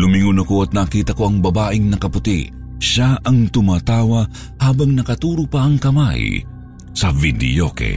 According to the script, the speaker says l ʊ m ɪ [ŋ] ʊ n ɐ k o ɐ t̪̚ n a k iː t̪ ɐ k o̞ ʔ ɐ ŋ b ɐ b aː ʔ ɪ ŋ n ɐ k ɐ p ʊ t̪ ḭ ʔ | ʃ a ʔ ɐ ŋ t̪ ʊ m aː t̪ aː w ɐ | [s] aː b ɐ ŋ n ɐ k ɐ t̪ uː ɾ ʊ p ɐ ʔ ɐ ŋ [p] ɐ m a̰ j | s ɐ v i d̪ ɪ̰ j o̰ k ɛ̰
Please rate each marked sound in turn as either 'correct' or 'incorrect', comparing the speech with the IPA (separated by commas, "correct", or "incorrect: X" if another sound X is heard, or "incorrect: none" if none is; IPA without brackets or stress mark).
correct, incorrect: h, incorrect: k